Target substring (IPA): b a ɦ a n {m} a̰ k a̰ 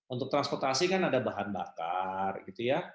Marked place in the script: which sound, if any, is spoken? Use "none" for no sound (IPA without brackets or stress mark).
b